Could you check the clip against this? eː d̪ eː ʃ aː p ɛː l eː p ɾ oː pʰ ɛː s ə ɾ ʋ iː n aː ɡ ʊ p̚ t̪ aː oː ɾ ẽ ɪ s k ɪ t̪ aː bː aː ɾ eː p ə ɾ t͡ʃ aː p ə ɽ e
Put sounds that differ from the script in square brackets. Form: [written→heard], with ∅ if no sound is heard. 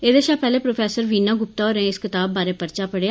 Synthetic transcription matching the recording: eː d̪ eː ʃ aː p ɛː l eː p ɾ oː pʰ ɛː s ə ɾ ʋ iː n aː ɡ ʊ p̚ t̪ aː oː ɾ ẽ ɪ s k ɪ t̪ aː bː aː ɾ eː p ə ɾ t͡ʃ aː p ə ɽ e